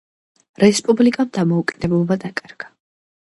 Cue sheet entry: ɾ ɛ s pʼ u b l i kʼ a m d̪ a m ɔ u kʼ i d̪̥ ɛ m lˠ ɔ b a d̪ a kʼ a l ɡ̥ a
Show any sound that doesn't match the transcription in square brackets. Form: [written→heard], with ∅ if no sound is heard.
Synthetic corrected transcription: ɾ ɛ s pʼ u b l i kʼ a m d̪ a m ɔ u kʼ i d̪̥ ɛ [m→b] lˠ ɔ b a d̪ a kʼ a [l→ɾ] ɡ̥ a